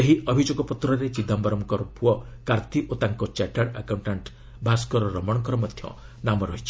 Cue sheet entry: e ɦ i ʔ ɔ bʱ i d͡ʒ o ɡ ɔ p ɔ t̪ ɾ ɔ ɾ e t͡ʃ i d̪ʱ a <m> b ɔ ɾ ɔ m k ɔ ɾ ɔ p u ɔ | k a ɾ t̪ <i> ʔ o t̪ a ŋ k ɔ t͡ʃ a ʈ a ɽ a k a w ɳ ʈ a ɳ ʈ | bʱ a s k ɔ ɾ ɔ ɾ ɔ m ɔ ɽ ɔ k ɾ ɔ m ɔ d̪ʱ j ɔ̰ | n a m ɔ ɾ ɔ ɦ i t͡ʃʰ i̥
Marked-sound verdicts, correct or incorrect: correct, correct

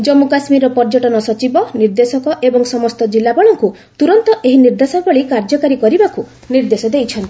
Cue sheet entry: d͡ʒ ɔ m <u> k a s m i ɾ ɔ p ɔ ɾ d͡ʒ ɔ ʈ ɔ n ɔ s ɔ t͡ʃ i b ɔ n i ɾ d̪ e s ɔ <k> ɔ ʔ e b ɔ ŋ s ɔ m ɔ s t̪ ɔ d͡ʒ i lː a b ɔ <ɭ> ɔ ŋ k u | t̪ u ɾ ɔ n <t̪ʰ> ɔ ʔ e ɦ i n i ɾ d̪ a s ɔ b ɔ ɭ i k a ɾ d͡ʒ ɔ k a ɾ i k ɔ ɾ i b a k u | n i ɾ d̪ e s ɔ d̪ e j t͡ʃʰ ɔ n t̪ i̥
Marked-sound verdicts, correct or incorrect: correct, correct, correct, incorrect: t̪

